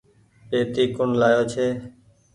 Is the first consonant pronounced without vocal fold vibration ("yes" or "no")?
yes